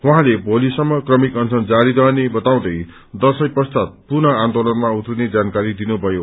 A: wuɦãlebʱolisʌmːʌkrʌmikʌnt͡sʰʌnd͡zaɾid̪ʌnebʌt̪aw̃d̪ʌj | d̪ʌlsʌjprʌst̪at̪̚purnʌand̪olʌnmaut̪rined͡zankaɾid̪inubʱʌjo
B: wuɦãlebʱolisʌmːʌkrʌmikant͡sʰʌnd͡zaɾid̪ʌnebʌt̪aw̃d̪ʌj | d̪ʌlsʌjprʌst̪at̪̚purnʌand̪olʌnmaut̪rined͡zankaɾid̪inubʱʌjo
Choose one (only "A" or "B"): A